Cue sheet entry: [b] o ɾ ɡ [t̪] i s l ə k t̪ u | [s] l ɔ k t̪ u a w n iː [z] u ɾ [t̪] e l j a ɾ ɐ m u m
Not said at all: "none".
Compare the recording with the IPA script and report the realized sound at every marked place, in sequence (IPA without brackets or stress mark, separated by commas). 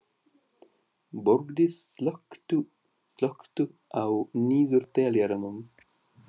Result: b, d̪, s, z, t̪